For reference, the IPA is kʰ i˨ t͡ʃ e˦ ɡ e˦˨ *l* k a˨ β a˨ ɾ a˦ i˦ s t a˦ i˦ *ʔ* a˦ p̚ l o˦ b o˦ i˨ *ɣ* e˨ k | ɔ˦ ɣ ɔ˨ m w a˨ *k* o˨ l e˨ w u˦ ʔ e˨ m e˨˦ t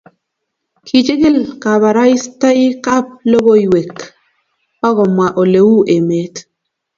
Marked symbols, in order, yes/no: yes, no, no, no

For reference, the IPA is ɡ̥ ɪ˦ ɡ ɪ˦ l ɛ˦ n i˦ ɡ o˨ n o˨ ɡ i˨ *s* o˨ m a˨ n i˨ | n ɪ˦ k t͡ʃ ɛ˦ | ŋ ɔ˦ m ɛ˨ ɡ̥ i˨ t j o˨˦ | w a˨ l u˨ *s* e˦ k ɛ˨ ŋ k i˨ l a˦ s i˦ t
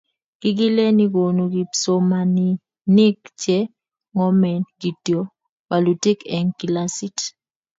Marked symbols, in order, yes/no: yes, no

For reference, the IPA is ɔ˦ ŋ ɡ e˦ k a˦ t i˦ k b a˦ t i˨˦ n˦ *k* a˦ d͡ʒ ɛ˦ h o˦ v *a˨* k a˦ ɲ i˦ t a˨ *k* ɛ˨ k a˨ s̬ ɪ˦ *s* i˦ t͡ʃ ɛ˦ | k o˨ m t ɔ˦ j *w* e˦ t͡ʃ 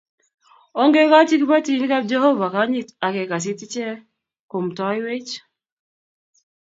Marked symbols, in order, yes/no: yes, yes, yes, no, yes

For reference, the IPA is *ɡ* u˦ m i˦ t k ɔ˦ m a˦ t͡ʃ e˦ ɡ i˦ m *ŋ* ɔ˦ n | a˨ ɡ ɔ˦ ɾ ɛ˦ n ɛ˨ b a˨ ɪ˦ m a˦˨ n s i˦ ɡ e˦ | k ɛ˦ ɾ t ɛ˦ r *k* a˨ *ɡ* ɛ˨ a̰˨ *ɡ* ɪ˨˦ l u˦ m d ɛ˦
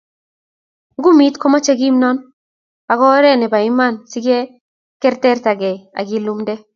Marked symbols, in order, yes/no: yes, no, no, yes, yes

